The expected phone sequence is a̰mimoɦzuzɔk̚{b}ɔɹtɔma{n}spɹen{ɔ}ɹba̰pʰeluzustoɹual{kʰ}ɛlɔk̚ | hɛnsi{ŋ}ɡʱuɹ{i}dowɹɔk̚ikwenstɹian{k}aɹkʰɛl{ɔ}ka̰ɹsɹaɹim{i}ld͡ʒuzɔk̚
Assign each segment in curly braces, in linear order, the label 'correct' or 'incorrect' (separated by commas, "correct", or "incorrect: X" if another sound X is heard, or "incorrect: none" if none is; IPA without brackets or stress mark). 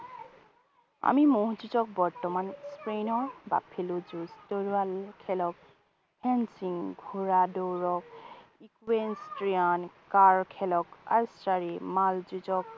correct, correct, correct, correct, correct, incorrect: a, correct, correct, incorrect: a